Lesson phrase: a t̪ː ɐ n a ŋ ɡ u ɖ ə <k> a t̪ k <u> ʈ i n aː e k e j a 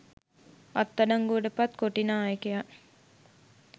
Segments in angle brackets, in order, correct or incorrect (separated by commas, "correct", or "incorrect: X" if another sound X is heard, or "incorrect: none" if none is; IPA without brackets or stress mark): incorrect: p, incorrect: o